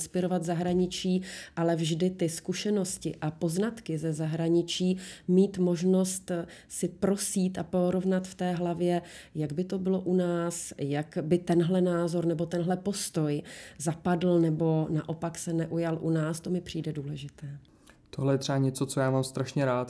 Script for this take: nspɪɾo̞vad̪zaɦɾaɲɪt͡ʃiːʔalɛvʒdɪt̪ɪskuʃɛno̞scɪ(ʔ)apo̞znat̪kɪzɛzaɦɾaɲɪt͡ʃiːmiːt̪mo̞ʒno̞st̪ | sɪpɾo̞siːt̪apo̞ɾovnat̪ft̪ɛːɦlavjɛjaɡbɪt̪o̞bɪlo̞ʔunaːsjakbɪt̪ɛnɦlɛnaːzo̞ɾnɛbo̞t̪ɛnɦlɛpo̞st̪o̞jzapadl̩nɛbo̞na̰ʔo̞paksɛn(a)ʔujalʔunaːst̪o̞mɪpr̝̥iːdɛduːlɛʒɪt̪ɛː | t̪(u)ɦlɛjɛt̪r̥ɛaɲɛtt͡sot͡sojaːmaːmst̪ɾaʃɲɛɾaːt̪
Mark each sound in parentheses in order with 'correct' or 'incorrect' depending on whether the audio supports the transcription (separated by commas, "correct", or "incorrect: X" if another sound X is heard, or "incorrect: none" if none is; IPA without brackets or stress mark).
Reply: correct, incorrect: ɛ, incorrect: o